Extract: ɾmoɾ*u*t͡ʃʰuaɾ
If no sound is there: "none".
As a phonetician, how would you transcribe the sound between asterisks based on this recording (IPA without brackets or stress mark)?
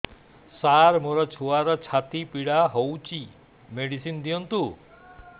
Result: ɔ